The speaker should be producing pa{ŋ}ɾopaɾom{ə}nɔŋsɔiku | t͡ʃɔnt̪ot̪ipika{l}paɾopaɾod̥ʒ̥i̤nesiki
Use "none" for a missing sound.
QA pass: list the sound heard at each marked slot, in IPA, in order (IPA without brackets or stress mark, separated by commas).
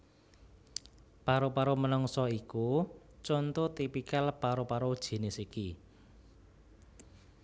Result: none, ə, l